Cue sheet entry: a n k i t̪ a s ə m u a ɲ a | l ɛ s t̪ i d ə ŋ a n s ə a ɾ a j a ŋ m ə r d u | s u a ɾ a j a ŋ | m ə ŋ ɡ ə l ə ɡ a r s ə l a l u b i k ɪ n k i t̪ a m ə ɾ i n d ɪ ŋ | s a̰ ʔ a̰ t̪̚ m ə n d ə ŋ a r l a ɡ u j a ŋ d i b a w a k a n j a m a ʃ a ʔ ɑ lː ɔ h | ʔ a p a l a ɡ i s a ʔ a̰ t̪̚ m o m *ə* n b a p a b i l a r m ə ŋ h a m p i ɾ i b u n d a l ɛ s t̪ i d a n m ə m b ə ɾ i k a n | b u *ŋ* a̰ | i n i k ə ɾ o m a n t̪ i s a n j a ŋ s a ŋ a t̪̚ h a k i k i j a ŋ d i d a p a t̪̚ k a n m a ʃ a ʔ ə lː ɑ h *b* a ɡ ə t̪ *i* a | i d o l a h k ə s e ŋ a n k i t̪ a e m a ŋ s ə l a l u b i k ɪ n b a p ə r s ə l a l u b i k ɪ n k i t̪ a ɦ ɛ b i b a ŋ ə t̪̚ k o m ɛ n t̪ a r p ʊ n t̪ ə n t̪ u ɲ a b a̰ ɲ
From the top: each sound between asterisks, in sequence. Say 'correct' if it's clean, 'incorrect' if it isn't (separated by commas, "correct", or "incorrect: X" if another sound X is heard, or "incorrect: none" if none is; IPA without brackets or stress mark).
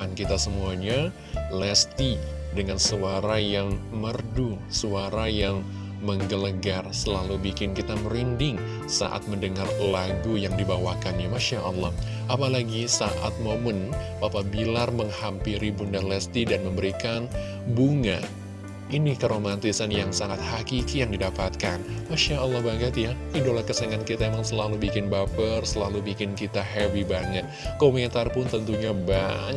correct, correct, correct, incorrect: j